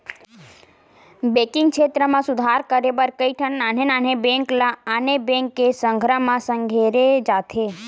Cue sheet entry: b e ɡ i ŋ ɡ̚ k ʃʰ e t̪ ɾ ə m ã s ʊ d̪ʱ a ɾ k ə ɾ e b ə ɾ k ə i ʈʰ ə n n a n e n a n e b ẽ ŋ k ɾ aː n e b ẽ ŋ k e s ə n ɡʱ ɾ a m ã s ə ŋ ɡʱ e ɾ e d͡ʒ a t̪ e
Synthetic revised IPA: b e k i ŋ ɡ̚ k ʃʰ e t̪ ɾ ə m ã s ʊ d̪ʱ a ɾ k ə ɾ e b ə ɾ k ə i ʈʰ ə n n a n e n a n e b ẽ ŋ k l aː n e b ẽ ŋ k e s ə ŋ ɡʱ ɾ a m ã s ə ŋ ɡʱ e ɾ e d͡ʒ a t̪ʰ e